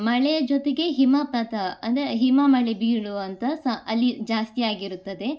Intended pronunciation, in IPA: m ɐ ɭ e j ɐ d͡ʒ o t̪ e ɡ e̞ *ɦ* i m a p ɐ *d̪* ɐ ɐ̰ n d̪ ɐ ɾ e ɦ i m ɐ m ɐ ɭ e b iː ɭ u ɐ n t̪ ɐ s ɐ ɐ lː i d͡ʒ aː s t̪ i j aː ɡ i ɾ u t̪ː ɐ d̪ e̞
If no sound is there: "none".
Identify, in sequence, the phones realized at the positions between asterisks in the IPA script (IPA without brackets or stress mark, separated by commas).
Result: ɦ, t̪